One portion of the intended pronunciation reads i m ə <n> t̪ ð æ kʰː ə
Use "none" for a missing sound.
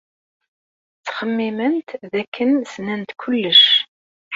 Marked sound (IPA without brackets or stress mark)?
n